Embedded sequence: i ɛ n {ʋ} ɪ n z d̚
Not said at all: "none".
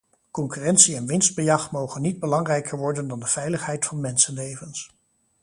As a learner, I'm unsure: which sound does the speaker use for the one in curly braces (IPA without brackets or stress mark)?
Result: ʋ